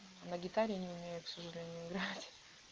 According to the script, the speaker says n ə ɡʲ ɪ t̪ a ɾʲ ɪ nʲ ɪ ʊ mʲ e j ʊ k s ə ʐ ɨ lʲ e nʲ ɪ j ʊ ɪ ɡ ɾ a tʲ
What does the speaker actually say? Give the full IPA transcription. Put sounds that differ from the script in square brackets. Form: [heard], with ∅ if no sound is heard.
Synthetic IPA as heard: n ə ɡʲ ɪ t̪ a ɾʲ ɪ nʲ ɪ ʊ mʲ e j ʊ k s ə ʐ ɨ lʲ e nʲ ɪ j ʊ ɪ ɡ ɾ a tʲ